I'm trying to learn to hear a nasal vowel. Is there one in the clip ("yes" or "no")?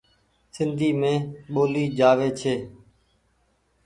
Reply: yes